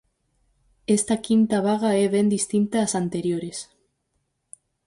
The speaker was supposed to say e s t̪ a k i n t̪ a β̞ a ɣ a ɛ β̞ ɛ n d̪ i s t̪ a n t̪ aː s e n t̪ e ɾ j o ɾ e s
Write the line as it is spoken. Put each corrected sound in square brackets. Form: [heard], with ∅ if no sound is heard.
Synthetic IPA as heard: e s t̪ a k i n t̪ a β̞ a ɣ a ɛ β̞ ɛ n d̪ i s t̪ [i] n t̪ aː s [a] n t̪ e ɾ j o ɾ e s